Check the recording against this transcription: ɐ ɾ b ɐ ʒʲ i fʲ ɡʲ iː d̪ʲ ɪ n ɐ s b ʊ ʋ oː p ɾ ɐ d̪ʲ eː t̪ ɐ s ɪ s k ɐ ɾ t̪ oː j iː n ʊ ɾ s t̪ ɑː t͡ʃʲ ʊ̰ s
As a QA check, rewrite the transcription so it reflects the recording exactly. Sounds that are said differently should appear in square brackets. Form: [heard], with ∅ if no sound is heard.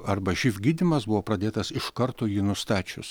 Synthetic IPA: ɐ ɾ b ɐ ʒʲ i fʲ ɡʲ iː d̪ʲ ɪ [m] ɐ s b ʊ ʋ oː p ɾ ɐ d̪ʲ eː t̪ ɐ s ɪ [ʃ] k ɐ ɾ t̪ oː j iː n ʊ [∅] s t̪ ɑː t͡ʃʲ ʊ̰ s